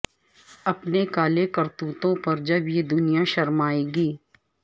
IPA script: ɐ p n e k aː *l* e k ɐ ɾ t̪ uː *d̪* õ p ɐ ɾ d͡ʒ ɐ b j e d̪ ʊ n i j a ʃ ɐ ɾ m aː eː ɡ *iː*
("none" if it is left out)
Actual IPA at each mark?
l, t̪, iː

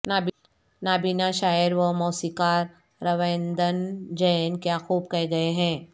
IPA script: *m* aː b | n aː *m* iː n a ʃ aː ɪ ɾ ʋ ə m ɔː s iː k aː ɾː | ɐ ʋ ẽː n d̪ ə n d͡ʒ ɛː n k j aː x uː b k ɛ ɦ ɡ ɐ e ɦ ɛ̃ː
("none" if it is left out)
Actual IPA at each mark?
n, b

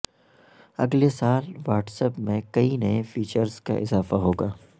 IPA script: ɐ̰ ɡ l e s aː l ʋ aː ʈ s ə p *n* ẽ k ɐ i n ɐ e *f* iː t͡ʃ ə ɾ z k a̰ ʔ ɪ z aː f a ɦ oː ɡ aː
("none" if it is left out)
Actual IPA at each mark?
m, f

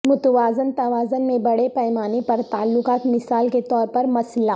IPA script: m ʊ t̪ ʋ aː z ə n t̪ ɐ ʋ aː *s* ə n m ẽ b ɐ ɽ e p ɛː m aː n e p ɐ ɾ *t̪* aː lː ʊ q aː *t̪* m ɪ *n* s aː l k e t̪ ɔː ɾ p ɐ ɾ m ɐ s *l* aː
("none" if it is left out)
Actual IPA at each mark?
z, t̪, t̪, none, l

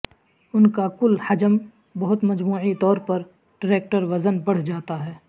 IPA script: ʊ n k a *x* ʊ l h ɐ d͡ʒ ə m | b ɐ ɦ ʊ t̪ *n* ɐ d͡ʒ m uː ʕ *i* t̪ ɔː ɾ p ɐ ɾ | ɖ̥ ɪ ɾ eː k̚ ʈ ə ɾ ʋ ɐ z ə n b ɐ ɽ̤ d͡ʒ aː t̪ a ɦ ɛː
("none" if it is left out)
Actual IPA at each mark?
k, m, i

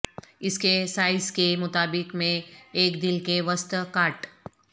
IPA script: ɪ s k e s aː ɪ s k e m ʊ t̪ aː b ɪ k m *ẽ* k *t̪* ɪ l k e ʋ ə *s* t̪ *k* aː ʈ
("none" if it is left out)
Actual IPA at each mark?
ẽː, d̪, s, k

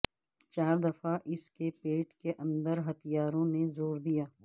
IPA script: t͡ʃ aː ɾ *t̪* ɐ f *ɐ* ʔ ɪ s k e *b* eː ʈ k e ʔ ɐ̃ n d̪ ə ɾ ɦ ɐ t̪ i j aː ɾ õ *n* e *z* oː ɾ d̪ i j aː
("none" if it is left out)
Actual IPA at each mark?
d̪, a, p, n, z

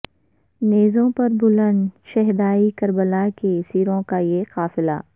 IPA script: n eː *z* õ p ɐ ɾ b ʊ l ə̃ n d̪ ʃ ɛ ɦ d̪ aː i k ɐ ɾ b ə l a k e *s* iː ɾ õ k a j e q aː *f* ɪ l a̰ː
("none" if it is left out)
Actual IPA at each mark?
z, s, f

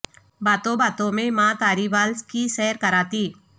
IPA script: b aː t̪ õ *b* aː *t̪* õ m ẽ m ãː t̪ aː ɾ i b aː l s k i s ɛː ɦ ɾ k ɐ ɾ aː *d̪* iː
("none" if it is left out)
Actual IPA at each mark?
b, t̪, t̪

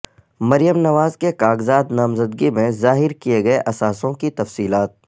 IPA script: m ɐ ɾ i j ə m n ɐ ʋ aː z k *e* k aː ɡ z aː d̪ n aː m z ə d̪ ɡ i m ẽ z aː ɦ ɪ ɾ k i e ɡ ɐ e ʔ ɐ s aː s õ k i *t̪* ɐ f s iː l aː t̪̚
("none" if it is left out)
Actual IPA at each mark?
e, t̪

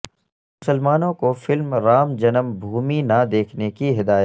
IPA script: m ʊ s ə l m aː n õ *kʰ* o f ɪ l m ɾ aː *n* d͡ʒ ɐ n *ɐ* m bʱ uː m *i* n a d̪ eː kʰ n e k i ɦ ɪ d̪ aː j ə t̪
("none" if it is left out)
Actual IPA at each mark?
k, m, ə, i

